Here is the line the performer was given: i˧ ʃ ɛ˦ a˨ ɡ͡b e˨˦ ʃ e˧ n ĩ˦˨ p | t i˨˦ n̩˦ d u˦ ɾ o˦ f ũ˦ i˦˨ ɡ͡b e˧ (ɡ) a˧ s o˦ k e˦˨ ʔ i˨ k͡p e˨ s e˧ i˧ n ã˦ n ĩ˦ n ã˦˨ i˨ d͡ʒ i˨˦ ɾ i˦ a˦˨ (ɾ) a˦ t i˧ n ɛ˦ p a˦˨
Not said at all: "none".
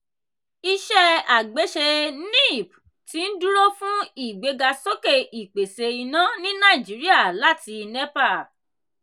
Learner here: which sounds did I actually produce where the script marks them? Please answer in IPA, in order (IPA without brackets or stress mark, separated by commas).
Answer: ɡ, l